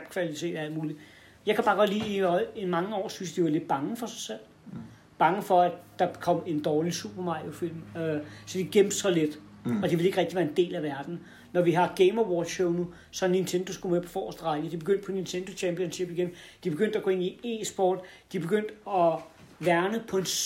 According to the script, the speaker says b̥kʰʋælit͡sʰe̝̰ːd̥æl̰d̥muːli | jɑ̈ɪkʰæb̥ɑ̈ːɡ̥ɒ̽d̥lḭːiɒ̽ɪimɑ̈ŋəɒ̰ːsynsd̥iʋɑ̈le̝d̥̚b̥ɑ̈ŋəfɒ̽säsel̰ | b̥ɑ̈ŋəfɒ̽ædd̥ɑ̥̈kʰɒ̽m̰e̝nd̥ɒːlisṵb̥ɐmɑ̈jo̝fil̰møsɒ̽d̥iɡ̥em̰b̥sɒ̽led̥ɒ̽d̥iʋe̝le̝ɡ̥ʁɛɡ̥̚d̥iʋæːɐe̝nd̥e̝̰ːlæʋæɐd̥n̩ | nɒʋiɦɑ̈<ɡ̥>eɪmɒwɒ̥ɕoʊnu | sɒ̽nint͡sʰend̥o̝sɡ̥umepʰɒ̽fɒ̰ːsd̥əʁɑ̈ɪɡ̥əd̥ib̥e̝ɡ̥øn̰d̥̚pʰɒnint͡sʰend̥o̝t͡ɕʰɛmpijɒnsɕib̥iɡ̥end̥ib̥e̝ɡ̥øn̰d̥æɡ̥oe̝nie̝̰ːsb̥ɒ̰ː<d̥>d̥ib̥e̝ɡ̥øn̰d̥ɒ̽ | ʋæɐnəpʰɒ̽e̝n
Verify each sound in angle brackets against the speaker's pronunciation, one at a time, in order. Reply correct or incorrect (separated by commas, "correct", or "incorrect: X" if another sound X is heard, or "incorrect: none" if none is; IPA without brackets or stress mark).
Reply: correct, correct